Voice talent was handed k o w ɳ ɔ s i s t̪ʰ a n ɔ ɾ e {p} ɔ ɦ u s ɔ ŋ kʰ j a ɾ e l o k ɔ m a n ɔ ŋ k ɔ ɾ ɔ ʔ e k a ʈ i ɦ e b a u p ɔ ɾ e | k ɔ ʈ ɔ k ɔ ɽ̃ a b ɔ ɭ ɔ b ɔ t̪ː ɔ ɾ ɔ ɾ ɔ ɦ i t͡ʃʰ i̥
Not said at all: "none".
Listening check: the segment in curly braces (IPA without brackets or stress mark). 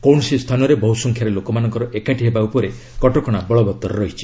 b